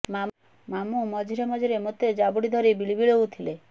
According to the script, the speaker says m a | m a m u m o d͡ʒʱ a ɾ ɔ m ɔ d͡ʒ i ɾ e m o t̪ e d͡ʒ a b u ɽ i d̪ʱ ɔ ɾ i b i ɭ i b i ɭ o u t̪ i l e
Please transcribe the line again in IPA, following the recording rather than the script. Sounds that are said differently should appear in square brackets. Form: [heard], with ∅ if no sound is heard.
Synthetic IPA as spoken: m a | m a m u m [ɔ] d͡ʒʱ [i] ɾ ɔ m ɔ d͡ʒ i ɾ e m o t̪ e d͡ʒ a b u ɽ i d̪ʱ ɔ ɾ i b i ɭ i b i ɭ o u [t̪ʰ] i l e